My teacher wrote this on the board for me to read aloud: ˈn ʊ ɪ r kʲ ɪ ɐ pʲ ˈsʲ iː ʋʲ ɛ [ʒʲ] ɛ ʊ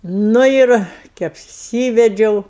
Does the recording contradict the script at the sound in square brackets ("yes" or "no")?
yes